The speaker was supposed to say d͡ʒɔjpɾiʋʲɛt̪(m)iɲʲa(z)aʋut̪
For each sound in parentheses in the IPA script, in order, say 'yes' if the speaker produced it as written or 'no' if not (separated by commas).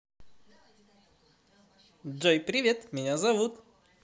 yes, yes